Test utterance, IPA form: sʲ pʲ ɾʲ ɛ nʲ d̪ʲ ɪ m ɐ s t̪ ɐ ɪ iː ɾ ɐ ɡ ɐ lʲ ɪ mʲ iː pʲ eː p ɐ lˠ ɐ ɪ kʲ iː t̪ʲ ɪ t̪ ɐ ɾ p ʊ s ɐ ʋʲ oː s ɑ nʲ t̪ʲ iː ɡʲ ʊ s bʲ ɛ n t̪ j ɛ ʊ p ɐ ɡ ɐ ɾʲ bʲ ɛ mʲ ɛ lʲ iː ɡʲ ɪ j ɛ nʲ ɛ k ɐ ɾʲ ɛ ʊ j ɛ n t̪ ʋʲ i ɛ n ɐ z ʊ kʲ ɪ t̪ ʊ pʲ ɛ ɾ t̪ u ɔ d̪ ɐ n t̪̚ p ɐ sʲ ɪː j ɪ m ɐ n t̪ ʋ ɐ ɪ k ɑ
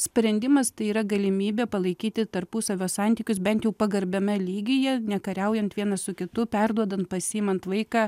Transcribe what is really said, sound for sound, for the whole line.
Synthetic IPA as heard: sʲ pʲ ɾʲ ɛ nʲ d̪ʲ ɪ m ɐ s t̪ ɐ ɪ iː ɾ ɐ ɡ ɐ lʲ ɪ mʲ iː bʲ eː p ɐ lˠ ɐ ɪ kʲ iː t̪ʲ ɪ t̪ ɐ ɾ p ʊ s ɐ ʋʲ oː s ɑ nʲ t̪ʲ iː kʲ ʊ s bʲ ɛ n t̪ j ɛ ʊ p ɐ ɡ ɐ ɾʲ bʲ ɛ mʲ ɛ lʲ iː ɡʲ ɪ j ɛ nʲ ɛ k ɐ ɾʲ ɛ ʊ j ɛ n t̪ ʋʲ i ɛ n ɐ s ʊ kʲ ɪ t̪ ʊ pʲ ɛ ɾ d̪ u ɔ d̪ ɐ n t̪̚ p ɐ sʲ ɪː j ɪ m ɐ n t̪ ʋ ɐ ɪ k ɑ